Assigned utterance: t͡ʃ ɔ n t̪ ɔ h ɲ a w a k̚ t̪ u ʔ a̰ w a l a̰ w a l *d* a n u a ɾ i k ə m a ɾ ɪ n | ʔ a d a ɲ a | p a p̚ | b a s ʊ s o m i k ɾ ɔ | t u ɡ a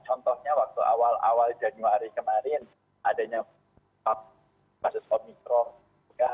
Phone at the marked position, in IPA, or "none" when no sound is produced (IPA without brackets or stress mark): d͡ʒ